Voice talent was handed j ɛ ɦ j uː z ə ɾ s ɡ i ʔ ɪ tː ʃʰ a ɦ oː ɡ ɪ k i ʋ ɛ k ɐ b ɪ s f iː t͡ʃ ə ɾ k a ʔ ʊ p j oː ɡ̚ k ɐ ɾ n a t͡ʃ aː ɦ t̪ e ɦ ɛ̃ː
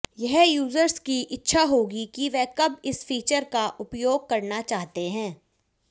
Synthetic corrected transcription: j ɛ ɦ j uː z ə ɾ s k i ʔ ɪ tː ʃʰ a ɦ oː ɡ i k i ʋ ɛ k ɐ b ɪ s f iː t͡ʃ ə ɾ k a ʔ ʊ p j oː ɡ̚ k ɐ ɾ n a t͡ʃ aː ɦ t̪ e ɦ ɛ̃ː